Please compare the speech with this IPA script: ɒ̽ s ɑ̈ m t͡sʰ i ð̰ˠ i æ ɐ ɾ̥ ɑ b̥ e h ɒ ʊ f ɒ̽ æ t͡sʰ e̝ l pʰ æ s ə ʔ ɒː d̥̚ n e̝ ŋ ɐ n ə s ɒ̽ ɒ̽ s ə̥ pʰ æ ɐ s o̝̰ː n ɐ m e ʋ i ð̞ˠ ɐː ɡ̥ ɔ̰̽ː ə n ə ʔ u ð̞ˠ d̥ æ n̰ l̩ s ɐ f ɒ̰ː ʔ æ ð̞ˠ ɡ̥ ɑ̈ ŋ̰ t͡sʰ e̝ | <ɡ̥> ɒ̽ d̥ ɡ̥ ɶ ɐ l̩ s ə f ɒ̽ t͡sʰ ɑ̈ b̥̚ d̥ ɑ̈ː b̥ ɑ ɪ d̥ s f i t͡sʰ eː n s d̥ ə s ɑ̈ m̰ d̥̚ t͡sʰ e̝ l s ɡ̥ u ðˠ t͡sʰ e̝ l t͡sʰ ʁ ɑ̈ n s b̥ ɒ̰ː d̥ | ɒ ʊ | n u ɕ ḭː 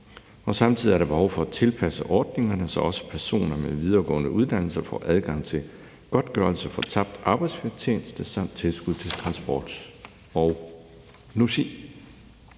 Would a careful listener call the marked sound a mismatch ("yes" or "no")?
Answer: no